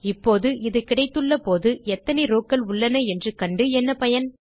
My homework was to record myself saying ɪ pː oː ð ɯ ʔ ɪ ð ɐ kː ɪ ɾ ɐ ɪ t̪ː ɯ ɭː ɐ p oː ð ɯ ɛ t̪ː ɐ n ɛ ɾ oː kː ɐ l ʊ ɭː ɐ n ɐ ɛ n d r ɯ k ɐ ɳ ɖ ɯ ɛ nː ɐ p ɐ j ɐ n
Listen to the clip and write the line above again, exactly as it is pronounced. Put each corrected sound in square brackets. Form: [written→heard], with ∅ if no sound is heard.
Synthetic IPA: ɪ pː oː ð ɯ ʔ ɪ ð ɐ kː ɪ [ɾ→ɽ] ɐ ɪ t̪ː ɯ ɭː ɐ p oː ð ɯ ɛ t̪ː ɐ n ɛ ɾ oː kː ɐ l ʊ ɭː ɐ n ɐ ɛ n d r ɯ k ɐ ɳ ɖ ɯ ɛ nː ɐ p ɐ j ɐ n